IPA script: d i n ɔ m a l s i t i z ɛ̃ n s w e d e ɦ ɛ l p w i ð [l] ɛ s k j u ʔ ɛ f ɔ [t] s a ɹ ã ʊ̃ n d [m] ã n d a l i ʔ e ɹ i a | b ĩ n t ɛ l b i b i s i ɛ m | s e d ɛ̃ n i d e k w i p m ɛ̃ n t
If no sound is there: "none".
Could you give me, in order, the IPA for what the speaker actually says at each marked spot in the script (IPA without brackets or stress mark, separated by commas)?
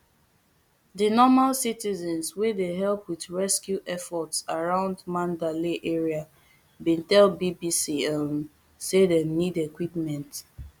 ɹ, t, m